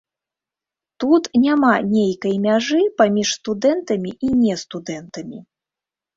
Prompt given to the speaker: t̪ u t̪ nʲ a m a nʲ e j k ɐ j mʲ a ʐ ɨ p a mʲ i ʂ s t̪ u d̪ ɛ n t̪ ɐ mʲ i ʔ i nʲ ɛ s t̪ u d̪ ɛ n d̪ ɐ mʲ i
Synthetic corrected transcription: t̪ u t̪ nʲ a m a nʲ e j k ɐ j mʲ a ʐ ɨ p a mʲ i ʂ s t̪ u d̪ ɛ n t̪ ɐ mʲ i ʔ i nʲ ɛ s t̪ u d̪ ɛ n t̪ ɐ mʲ i